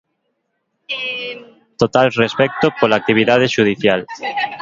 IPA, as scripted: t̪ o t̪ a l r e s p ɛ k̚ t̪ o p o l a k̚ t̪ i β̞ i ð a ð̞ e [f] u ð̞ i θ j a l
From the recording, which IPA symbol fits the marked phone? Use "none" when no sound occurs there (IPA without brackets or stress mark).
ʃ